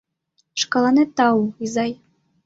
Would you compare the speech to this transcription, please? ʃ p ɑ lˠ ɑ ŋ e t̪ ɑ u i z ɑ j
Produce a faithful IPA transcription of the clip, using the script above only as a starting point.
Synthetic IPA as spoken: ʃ k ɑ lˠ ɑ n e t̪ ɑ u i z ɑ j